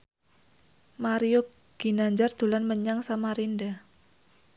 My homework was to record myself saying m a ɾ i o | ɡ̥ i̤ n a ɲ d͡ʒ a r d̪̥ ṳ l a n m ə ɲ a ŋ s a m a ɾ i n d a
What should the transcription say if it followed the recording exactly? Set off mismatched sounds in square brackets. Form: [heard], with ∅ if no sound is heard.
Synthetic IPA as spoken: m a ɾ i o | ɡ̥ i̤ n a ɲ d͡ʒ a r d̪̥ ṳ l a n m ə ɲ a ŋ s a m a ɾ i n d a